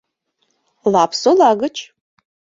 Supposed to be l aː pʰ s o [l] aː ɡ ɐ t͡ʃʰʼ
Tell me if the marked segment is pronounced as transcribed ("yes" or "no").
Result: yes